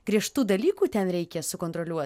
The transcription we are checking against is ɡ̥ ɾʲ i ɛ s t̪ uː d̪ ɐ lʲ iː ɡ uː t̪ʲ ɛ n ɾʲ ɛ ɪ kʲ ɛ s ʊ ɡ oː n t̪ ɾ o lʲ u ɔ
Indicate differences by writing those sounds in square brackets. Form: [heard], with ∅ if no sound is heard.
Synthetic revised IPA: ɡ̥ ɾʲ i ɛ [ʃ] t̪ uː d̪ ɐ lʲ iː [k] uː t̪ʲ ɛ n ɾʲ ɛ ɪ kʲ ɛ s ʊ [k] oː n t̪ ɾ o lʲ u ɔ